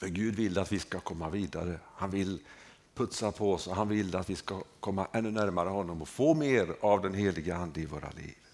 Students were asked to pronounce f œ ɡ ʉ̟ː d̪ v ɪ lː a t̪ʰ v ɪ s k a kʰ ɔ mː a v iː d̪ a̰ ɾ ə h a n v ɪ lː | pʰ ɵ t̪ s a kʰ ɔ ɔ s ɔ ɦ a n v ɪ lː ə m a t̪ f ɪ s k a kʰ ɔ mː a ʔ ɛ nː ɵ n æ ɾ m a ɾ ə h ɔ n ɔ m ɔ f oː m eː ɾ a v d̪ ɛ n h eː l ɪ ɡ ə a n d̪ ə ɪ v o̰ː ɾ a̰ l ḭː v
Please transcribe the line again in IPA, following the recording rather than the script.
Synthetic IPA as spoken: f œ ɡ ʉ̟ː d̪ v ɪ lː a t̪ v ɪ s k a kʰ ɔ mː a v iː d̪ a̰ ɾ ə h a n v ɪ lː | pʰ ɵ t̪ s a pʰ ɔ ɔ s ɔ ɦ a n v ɪ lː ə a t̪ v ɪ s k a kʰ ɔ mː a ʔ ɛ nː ɵ n æ ɾ m a ɾ ə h ɔ nː ɔ m ɔ f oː m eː ɾ a v d̪ ɛ n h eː l ɪ ɡ ə a n d̪ ə ɪ v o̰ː ɾ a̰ l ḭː v